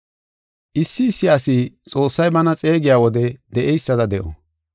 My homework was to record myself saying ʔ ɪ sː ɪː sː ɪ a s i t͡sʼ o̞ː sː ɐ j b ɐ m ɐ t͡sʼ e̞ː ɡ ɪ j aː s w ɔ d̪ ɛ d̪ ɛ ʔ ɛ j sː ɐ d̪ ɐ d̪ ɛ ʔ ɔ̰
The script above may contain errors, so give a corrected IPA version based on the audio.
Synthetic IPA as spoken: ʔ ɪ sː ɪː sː ɪ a s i t͡sʼ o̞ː sː ɐ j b ɐ n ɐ t͡sʼ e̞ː ɡ ɪ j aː w ɔ d̪ ɛ d̪ ɛ ʔ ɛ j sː ɐ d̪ ɐ d̪ ɛ ʔ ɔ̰